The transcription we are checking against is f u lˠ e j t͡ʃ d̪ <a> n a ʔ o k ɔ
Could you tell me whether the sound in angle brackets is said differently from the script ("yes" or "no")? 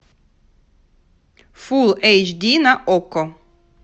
yes